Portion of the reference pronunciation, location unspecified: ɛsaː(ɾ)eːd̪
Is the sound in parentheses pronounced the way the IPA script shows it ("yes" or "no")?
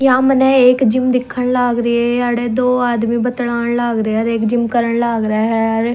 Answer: no